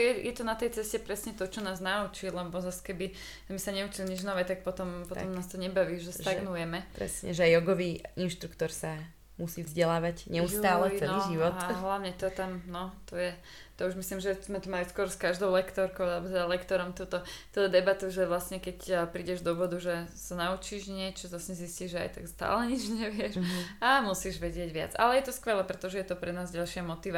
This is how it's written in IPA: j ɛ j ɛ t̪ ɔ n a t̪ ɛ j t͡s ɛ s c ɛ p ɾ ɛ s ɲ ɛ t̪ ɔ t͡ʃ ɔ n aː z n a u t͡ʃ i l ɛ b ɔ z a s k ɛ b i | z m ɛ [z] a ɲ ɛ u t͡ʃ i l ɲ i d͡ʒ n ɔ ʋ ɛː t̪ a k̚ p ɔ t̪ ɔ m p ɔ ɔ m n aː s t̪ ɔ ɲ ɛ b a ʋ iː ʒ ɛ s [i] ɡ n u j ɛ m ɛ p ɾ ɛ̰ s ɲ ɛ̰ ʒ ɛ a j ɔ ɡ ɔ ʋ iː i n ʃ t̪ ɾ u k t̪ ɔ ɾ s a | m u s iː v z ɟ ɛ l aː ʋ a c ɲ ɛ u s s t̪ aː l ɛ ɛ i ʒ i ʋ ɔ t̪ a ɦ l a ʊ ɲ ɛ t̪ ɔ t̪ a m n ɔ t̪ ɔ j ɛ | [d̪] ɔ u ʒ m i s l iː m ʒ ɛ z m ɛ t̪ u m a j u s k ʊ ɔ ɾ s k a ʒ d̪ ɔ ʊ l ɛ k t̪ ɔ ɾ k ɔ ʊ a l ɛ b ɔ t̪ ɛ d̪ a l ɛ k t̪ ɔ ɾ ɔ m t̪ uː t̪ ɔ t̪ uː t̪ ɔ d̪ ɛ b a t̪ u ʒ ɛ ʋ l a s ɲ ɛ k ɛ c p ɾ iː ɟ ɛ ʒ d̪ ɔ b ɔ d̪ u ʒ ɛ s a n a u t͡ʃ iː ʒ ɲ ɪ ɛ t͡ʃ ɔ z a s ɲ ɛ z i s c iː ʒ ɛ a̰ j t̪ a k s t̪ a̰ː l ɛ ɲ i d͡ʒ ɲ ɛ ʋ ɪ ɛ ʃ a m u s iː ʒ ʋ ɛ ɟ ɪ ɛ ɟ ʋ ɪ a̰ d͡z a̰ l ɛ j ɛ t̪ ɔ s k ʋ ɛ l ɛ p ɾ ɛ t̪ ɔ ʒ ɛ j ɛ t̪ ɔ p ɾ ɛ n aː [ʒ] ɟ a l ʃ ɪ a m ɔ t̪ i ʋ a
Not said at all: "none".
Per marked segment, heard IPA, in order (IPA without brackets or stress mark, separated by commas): s, a, t̪, z